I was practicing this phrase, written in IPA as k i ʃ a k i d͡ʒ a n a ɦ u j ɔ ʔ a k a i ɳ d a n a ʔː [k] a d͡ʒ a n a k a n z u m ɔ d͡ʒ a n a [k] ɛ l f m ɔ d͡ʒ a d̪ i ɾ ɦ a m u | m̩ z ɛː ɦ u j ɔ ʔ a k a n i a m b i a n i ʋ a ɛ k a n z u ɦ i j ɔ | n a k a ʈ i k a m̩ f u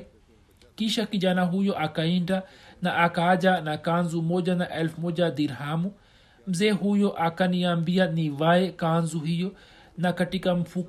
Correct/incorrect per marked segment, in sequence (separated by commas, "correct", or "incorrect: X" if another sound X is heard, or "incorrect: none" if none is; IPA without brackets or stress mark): correct, incorrect: ʔ